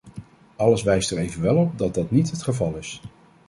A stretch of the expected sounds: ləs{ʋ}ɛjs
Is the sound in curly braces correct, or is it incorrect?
correct